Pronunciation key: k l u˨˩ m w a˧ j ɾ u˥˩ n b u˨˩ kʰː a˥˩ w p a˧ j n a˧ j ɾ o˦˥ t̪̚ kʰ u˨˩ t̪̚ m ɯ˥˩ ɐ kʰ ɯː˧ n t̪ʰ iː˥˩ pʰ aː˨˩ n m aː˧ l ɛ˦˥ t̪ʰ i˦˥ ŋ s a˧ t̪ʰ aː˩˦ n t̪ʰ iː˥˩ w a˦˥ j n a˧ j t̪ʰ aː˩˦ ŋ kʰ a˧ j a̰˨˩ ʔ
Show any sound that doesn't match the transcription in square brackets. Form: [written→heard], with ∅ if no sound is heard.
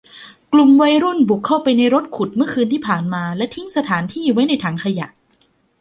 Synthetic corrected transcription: k l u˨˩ m w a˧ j ɾ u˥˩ n b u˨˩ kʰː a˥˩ w p a˧ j n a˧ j ɾ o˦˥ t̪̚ kʰ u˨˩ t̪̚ m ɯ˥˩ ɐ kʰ ɯː˧ n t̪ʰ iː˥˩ pʰ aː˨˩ n m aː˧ l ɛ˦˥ t̪ʰ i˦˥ ŋ s a˧ t̪ʰ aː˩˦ n t̪ʰ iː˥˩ w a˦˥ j n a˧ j t̪ʰ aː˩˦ ŋ kʰ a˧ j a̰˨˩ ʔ